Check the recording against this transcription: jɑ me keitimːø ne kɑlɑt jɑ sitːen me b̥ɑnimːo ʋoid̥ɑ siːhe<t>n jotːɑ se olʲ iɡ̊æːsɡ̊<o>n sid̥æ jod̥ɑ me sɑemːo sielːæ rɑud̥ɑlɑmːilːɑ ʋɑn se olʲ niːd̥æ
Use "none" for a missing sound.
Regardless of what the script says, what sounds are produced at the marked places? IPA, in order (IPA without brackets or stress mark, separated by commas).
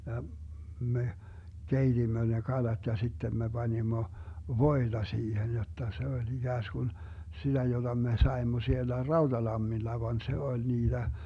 none, u